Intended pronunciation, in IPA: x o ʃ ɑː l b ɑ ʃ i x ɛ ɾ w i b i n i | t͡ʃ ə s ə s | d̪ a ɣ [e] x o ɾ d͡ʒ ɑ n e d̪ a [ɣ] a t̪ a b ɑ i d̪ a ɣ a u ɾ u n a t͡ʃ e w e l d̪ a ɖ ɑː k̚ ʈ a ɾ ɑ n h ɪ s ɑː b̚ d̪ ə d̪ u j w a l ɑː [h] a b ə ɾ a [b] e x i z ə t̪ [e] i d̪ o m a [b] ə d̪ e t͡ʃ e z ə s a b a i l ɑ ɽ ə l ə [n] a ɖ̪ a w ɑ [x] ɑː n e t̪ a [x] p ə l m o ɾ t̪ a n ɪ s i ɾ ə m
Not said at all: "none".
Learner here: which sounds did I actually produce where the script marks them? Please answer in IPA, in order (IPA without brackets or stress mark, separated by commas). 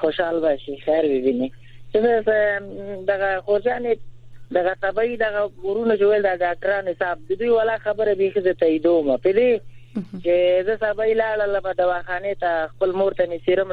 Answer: a, ɣ, x, b, a, p, m, x, x